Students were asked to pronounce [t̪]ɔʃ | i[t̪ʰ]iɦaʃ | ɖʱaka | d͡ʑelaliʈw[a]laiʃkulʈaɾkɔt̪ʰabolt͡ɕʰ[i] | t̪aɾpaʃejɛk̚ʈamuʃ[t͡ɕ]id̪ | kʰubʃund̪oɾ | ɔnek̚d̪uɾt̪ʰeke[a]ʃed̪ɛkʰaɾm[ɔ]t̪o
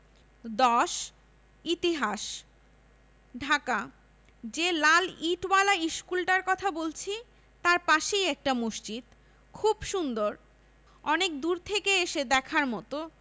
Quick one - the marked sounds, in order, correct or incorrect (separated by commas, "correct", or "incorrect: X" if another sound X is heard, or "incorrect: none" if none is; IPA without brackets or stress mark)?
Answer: incorrect: d̪, incorrect: t̪, correct, correct, correct, incorrect: e, correct